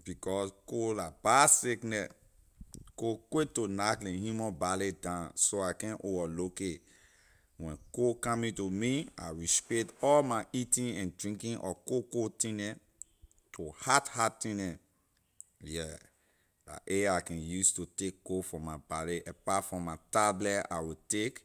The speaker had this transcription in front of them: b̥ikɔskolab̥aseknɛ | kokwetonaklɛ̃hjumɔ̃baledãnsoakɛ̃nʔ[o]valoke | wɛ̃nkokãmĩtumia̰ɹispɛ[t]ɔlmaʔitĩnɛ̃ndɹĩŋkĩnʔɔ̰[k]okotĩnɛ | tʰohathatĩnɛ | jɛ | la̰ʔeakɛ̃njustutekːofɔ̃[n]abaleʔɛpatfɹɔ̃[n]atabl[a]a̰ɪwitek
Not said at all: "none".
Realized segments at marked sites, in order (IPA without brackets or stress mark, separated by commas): o, t, k, m, m, ɛ